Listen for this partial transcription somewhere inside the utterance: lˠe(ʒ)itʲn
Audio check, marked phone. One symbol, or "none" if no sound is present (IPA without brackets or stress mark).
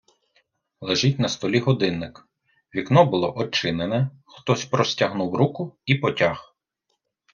ʒ